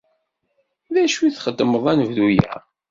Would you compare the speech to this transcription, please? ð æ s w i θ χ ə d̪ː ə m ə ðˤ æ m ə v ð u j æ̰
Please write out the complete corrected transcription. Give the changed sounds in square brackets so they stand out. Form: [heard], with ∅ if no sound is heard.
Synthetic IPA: ð æ [ʃ] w i θ χ ə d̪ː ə m ə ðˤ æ [n] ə v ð u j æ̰